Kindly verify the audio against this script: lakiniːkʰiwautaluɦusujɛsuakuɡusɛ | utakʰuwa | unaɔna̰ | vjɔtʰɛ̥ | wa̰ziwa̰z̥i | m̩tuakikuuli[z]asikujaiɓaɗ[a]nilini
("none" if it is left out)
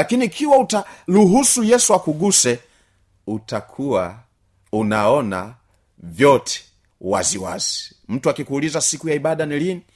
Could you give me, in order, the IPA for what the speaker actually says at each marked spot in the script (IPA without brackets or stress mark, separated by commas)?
z, a